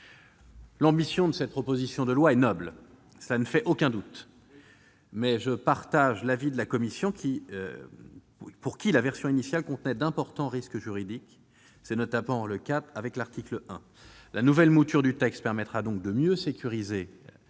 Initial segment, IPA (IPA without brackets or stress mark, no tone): l